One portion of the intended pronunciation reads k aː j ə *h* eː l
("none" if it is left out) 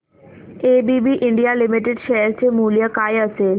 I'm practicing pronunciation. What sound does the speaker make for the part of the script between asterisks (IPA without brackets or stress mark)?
s